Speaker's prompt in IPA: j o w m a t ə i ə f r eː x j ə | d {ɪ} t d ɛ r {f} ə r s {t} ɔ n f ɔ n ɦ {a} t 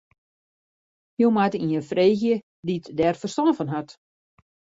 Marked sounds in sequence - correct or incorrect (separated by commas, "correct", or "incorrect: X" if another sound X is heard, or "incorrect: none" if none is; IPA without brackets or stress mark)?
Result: incorrect: i, correct, correct, correct